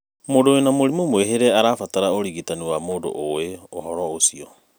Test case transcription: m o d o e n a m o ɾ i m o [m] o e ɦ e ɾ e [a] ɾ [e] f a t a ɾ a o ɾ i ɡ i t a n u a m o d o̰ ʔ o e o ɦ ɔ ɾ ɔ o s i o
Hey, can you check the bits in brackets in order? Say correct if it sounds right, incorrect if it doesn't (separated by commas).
correct, correct, incorrect